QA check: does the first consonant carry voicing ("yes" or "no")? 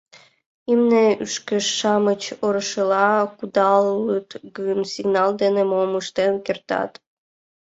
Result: yes